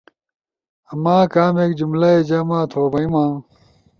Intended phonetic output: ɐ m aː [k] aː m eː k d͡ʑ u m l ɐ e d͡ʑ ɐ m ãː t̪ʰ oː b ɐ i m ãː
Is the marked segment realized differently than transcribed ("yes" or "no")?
no